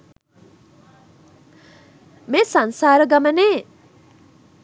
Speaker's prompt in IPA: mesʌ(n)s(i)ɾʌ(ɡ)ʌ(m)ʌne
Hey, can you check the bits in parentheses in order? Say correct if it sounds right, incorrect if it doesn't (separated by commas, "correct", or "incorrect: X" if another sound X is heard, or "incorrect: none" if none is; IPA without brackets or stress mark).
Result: correct, incorrect: a, correct, correct